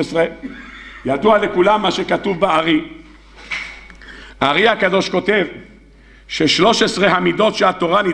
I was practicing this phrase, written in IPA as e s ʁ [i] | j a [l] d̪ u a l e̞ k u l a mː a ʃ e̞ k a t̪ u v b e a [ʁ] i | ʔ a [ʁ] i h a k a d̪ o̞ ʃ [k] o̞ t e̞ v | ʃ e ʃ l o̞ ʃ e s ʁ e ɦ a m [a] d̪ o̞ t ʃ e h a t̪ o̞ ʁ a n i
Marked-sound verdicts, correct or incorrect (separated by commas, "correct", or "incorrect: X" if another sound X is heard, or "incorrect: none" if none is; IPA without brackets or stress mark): incorrect: e, incorrect: none, correct, correct, correct, incorrect: i